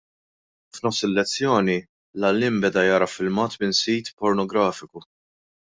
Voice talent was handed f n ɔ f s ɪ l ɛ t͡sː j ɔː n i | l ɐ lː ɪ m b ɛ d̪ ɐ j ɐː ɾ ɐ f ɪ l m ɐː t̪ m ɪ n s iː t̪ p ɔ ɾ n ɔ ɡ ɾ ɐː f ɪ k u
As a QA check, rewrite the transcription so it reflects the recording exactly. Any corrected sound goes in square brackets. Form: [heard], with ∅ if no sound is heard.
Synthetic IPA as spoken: f n ɔ f s ɪ [lː] ɛ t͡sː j ɔː n i | l ɐ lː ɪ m b ɛ d̪ ɐ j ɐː ɾ ɐ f ɪ l m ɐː t̪ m ɪ n s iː t̪ p ɔ ɾ n ɔ ɡ ɾ ɐː f ɪ k u